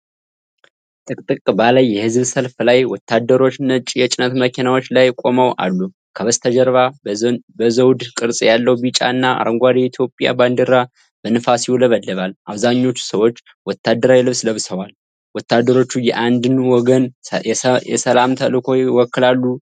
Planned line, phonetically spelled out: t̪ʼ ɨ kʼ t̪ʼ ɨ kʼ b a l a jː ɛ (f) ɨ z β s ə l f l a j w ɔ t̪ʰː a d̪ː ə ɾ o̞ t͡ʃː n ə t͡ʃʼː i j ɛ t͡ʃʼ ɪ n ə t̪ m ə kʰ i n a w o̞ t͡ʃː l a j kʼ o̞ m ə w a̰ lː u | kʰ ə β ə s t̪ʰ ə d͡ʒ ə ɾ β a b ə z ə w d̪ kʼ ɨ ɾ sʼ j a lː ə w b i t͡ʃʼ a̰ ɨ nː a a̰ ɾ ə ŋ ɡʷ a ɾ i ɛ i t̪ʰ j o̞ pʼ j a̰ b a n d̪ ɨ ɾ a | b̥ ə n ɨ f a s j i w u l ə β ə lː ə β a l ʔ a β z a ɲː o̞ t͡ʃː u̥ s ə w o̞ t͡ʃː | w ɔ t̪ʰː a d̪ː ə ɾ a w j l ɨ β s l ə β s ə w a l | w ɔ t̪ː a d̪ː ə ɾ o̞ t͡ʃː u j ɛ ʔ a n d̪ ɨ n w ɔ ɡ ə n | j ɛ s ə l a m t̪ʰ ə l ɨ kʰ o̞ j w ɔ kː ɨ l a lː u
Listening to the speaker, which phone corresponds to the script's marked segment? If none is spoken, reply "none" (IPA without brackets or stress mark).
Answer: h